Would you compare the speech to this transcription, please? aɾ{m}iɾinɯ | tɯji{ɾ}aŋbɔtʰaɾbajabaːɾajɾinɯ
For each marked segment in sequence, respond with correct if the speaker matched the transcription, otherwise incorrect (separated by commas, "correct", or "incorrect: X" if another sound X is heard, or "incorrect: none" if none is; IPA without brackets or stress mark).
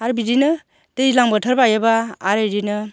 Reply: incorrect: b, incorrect: l